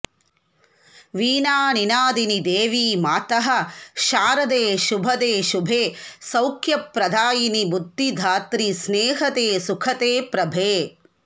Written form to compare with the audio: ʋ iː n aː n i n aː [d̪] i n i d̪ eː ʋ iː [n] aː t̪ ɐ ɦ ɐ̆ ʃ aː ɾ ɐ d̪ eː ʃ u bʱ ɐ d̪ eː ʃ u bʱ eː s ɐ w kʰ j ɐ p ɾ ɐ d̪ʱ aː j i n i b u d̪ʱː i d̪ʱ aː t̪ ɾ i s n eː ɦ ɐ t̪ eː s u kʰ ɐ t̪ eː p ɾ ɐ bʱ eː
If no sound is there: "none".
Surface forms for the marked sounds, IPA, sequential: d̪, m

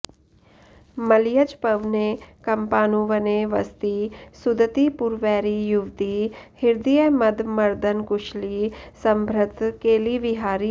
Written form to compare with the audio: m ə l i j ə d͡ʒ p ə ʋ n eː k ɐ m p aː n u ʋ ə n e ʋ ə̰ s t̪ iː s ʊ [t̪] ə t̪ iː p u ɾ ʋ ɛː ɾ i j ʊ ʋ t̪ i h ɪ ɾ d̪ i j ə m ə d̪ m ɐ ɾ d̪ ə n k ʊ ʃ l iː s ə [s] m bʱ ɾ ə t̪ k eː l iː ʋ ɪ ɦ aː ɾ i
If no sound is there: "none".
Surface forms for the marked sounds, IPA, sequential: d̪, none

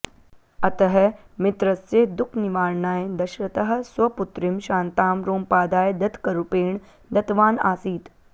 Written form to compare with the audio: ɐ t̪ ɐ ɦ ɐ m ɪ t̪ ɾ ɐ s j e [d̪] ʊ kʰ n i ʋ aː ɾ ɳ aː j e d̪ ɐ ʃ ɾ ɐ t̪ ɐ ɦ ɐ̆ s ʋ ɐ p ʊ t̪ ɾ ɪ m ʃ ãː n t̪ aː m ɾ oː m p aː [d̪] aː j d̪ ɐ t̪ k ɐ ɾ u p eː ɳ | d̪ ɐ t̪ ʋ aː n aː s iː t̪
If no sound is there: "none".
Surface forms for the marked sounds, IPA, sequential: d̪, d̪

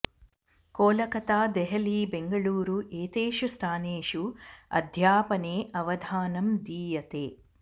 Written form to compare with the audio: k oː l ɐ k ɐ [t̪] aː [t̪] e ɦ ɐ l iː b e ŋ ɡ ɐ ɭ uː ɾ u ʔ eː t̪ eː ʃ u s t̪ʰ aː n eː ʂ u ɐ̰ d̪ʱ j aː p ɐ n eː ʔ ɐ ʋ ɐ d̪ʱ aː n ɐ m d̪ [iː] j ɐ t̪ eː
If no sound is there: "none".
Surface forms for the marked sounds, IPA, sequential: t̪, d̪, iː

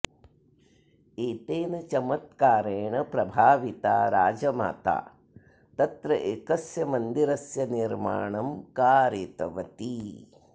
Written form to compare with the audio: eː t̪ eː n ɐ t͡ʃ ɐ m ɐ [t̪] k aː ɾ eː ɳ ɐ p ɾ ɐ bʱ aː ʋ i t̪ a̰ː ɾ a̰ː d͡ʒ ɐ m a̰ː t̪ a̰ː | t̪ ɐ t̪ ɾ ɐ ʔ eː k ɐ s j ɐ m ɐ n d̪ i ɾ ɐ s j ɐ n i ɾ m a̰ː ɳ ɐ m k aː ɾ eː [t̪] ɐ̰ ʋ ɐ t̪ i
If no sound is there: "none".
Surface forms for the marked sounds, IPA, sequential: t̪, t̪

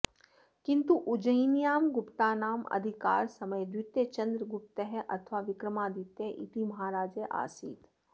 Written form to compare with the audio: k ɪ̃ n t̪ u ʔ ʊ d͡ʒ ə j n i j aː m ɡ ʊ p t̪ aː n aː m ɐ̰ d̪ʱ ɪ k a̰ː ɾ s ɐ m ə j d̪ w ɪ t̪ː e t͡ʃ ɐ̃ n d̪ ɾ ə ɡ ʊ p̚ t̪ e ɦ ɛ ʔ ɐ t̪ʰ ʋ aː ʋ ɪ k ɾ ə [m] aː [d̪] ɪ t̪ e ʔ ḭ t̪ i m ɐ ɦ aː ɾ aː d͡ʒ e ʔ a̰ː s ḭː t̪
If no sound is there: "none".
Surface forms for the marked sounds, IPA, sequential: m, d̪

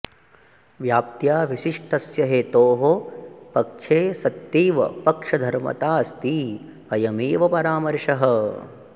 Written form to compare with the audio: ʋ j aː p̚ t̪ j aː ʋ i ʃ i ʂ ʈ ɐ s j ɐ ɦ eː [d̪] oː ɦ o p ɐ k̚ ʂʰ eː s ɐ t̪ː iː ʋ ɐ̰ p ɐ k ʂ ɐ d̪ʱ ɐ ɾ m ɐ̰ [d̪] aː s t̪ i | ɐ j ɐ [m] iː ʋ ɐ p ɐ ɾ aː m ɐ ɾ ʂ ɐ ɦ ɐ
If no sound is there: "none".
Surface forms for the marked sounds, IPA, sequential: t̪, t̪, m

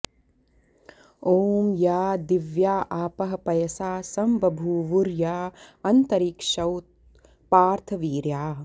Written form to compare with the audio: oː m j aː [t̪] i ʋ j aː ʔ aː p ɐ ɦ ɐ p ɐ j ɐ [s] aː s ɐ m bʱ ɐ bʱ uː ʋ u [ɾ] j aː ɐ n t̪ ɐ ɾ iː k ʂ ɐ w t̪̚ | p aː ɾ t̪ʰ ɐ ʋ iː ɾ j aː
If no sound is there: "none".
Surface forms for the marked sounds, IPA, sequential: d̪, s, ɾ

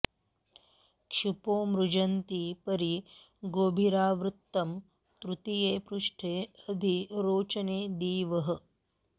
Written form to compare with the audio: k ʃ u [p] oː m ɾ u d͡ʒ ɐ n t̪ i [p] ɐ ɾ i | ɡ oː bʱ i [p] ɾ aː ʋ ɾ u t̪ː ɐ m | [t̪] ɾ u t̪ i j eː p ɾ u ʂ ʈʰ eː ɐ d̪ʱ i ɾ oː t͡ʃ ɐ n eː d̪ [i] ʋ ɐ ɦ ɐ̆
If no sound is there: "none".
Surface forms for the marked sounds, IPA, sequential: p, p, none, t̪, iː

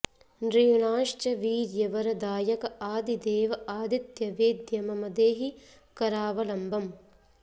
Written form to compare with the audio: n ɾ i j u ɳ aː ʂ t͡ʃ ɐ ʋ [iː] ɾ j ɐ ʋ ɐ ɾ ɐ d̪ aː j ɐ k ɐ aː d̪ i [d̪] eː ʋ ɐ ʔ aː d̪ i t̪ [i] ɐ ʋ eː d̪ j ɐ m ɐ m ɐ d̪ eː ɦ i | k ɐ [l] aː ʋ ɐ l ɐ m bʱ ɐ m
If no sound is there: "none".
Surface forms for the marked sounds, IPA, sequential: iː, d̪, j, ɾ

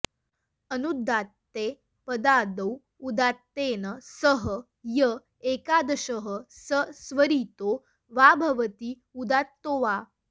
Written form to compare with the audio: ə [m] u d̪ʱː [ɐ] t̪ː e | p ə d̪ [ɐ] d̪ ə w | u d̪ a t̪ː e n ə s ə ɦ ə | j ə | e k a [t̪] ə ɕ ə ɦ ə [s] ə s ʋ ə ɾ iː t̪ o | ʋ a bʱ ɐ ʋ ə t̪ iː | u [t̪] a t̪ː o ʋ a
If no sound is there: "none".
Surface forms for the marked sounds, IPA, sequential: n, a, a, d̪, s, d̪

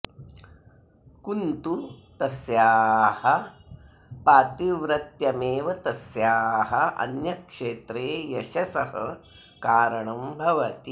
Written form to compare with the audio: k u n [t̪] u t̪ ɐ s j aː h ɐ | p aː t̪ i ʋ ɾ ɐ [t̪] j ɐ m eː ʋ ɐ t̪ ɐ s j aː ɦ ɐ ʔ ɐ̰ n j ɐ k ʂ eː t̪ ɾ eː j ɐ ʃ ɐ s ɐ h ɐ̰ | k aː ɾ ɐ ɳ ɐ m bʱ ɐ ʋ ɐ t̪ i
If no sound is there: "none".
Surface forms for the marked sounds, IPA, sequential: t̪, t̪

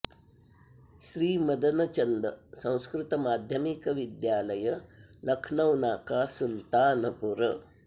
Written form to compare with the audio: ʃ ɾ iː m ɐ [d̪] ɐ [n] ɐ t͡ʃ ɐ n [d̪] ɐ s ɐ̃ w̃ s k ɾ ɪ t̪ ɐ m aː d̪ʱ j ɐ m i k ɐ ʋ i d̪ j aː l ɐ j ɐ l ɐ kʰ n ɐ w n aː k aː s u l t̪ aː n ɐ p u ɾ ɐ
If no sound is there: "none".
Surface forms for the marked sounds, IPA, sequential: d̪, n, d̪

